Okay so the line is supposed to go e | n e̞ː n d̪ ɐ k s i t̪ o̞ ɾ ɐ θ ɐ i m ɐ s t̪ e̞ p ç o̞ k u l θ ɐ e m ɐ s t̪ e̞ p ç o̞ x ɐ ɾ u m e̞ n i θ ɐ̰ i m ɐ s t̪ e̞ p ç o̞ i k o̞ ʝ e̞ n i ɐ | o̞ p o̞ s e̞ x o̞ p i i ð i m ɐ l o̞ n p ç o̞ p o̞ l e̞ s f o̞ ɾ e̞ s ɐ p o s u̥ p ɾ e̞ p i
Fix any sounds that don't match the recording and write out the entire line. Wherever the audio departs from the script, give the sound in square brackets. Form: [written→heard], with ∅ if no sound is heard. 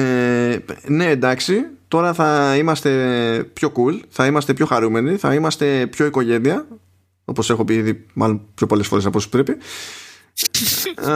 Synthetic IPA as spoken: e | n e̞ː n d̪ ɐ k s i t̪ o̞ ɾ ɐ θ ɐ i m ɐ s t̪ e̞ p ç o̞ k u l θ ɐ [e→i] m ɐ s t̪ e̞ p ç o̞ x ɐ ɾ u m e̞ n i θ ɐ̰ i m ɐ s t̪ e̞ p ç o̞ i k o̞ ʝ e̞ n i ɐ | o̞ p o̞ s e̞ x o̞ p i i ð i m ɐ l o̞ n p ç o̞ p o̞ l e̞ s f o̞ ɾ e̞ s ɐ p o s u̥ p ɾ e̞ p i